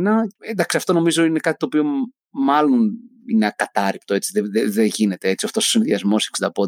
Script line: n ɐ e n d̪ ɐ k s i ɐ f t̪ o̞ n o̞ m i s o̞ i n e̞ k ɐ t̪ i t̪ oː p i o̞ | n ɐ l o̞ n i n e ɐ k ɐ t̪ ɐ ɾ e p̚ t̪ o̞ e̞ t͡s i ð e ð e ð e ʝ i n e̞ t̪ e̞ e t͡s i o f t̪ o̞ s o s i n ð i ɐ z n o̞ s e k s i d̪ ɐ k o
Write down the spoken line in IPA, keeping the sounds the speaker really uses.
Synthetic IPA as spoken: n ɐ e n d̪ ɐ k s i ɐ f t̪ o̞ n o̞ m i z o̞ i n e̞ k ɐ t̪ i t̪ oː p i o̞ | m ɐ l o̞ n i n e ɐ k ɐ t̪ ɐ ɾ i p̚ t̪ o̞ e̞ t͡s i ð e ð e ð e ʝ i n e̞ t̪ e̞ e t͡s i o f t̪ o̞ s o s i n ð i ɐ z m o̞ s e k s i d̪ ɐ p o